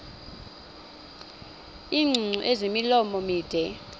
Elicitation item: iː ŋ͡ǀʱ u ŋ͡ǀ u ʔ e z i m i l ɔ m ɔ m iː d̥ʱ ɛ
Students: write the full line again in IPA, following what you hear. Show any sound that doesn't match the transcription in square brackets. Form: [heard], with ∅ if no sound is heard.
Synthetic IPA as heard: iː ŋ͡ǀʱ u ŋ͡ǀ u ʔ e z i m i l ɔ m ɔ m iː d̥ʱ ɛ